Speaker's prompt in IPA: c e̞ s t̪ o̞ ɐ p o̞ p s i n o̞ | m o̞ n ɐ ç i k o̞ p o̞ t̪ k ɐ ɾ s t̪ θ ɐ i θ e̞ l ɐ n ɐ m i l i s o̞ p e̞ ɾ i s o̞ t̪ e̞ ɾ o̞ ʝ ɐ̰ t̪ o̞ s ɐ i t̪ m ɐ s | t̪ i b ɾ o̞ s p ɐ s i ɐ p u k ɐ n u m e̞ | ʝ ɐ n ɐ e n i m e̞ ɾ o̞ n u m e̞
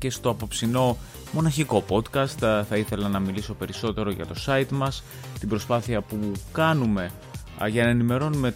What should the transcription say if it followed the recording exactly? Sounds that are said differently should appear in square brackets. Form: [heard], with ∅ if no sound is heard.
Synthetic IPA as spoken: c e̞ s t̪ o̞ ɐ p o̞ p s i n o̞ | m o̞ n ɐ ç i k o̞ p o̞ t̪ k ɐ [∅] s t̪ θ ɐ i θ e̞ l ɐ n ɐ m i l i s o̞ p e̞ ɾ i s o̞ t̪ e̞ ɾ o̞ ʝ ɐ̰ t̪ o̞ s ɐ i t̪ m ɐ s | t̪ i b ɾ o̞ s p ɐ [θ] i ɐ p u k ɐ n u m e̞ | ʝ ɐ n ɐ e n i m e̞ ɾ o̞ n u m e̞